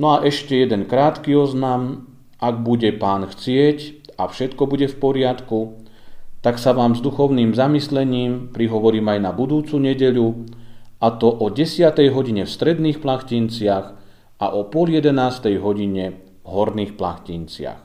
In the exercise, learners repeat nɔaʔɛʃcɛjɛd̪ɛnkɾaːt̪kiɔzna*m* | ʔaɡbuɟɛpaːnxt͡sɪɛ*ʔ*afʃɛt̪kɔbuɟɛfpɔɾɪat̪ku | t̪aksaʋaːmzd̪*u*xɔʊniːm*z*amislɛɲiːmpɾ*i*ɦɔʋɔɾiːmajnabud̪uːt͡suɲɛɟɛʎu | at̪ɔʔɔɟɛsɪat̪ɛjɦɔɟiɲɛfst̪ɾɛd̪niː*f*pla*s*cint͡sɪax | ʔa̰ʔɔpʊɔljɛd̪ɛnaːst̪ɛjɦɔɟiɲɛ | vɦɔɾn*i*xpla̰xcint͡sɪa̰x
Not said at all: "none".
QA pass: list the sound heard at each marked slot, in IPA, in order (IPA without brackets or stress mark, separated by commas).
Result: m, c, u, z, i, x, x, iː